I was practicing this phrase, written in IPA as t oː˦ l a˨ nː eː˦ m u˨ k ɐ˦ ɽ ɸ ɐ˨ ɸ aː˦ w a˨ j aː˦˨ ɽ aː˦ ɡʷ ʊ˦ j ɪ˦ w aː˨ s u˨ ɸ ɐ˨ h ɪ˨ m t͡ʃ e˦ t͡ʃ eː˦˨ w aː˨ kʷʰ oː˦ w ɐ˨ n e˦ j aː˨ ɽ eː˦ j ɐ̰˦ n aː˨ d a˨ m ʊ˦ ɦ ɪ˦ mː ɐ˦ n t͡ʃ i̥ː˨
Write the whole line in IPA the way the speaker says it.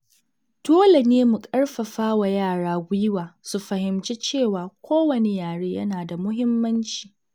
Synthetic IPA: t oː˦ l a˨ n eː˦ m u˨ kʼ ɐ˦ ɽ ɸ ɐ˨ ɸ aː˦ w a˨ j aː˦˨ ɽ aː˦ ɡʷ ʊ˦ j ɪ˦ w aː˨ s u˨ ɸ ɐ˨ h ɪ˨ m t͡ʃ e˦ t͡ʃ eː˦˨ w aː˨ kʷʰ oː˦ w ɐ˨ n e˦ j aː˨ ɽ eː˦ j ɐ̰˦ n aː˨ d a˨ m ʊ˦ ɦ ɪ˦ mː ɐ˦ n t͡ʃ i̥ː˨